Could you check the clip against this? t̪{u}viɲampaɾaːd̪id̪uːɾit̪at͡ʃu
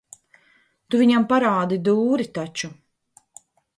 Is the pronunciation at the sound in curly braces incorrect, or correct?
correct